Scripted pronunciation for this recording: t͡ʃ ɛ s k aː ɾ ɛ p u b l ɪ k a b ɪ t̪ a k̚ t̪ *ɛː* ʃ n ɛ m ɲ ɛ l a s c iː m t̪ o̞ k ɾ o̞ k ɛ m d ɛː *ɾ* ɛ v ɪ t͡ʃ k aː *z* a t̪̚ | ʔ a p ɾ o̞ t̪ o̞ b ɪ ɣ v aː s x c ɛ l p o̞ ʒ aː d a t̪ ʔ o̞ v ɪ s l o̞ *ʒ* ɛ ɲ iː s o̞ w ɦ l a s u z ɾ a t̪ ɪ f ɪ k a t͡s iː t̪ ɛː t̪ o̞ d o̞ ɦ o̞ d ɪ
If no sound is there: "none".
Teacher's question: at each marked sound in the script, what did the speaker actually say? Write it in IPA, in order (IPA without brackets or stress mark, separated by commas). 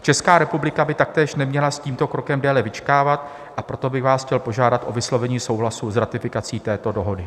ɛː, l, v, v